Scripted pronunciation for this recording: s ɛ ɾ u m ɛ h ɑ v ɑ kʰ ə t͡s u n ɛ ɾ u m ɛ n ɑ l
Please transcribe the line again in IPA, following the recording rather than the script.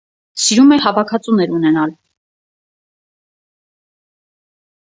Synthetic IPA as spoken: s i ɾ u m ɛ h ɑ v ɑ kʰ ɑ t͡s u n ɛ ɾ u n ɛ n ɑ l